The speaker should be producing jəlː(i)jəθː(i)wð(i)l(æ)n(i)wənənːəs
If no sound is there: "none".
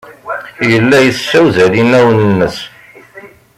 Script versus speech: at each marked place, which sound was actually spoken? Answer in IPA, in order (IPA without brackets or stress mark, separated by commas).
æ, æ, æ, i, æ